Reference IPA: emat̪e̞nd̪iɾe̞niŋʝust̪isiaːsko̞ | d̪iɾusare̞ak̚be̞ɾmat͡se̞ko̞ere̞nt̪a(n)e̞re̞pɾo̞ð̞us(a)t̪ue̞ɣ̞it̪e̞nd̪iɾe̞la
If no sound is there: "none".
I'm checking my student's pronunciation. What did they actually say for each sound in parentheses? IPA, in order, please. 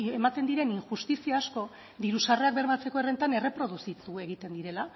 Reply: n, i

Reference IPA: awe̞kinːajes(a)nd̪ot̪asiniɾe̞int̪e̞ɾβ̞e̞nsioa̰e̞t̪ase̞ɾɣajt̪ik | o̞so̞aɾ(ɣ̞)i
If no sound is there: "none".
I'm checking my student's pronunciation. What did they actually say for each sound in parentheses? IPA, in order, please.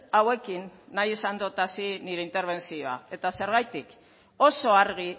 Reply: a, ɣ̞

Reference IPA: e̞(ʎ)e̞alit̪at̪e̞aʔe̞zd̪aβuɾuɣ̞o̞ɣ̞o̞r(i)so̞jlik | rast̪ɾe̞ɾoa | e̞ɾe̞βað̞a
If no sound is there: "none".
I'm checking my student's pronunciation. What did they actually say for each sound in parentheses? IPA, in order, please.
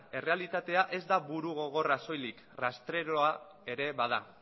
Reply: r, a

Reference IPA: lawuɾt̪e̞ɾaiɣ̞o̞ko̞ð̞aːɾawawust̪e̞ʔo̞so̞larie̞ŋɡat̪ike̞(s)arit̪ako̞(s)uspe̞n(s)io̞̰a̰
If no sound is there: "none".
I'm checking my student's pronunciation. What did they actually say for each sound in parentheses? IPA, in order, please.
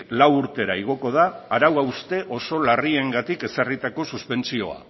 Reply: s, s, t͡s

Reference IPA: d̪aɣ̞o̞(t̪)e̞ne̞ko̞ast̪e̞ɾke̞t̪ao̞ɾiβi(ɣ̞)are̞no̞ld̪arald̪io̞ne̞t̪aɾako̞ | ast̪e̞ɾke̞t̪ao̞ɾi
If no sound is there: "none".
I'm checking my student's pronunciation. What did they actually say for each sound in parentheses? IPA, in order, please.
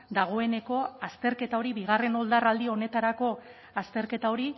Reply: none, ɣ̞

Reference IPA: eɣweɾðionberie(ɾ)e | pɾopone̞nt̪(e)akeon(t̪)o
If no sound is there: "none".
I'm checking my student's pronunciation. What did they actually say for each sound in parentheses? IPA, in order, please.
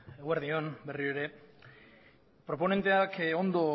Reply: ɾ, e, d̪

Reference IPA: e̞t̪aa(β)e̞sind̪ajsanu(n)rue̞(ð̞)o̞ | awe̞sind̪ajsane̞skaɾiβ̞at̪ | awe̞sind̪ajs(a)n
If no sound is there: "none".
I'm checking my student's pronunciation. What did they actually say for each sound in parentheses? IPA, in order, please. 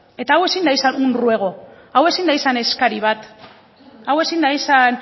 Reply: w, n, ɣ̞, a

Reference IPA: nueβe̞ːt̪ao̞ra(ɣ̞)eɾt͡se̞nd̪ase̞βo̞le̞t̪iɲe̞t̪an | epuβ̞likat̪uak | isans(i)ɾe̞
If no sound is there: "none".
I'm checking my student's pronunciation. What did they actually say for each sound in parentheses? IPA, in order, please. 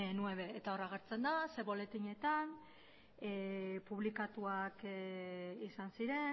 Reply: ɣ̞, i

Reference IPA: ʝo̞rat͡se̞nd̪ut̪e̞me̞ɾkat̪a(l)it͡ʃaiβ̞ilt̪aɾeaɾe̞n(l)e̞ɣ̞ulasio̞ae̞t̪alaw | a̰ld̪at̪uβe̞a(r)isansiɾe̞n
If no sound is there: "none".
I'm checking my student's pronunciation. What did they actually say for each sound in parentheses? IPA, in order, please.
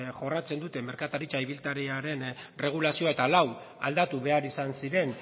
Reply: ɾ, r, ɾ

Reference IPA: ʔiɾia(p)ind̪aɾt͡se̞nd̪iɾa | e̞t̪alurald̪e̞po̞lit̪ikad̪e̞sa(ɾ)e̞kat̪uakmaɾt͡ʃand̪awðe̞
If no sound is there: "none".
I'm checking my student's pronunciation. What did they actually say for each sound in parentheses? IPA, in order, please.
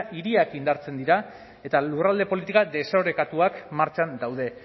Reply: k, ɾ

